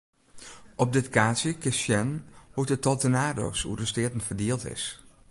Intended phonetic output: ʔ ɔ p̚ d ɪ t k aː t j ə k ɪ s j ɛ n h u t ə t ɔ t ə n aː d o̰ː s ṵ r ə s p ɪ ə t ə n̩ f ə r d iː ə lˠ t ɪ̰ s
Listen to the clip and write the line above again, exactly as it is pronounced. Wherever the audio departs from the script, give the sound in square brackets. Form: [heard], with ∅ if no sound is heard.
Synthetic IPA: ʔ ɔ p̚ d ɪ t k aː [s] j ə k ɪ s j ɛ n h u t ə t ɔ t ə n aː d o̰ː s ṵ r ə s [t] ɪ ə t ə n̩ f ə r d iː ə lˠ t ɪ̰ s